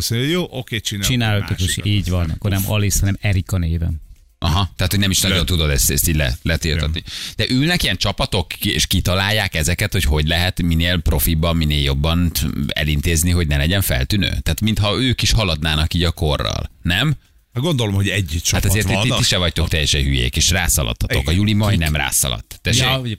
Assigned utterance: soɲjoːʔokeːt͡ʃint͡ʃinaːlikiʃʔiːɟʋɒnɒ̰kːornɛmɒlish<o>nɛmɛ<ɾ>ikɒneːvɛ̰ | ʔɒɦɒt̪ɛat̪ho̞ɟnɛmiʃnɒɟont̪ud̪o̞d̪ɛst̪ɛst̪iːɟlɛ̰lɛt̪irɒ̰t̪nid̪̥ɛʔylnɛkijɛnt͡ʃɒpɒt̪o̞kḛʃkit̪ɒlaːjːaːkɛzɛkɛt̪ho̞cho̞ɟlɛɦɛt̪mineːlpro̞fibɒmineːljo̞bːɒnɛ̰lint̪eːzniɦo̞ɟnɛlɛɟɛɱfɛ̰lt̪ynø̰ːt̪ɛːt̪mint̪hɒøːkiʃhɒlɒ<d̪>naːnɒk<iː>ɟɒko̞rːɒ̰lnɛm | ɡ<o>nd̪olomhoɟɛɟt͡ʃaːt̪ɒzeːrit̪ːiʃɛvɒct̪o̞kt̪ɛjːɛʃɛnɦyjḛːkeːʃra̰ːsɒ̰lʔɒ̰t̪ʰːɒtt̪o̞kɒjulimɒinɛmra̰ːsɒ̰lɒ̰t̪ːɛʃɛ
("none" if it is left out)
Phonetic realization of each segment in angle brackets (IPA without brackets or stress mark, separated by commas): ɒ, ɾ, d̪, iː, o